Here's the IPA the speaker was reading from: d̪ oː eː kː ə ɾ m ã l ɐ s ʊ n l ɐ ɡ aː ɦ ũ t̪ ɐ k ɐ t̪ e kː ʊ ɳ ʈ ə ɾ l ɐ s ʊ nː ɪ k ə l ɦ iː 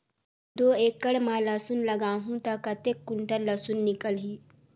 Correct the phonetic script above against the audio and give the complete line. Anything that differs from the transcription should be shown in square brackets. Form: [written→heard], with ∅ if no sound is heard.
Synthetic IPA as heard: d̪ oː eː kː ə [ɾ→ɽ] m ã l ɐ s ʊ n l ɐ ɡ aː ɦ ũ t̪ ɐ k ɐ t̪ e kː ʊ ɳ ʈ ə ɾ l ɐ s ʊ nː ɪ k ə l ɦ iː